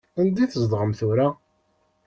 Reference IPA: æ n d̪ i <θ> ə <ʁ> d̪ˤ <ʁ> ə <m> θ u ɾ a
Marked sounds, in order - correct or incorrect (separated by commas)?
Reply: correct, incorrect, correct, correct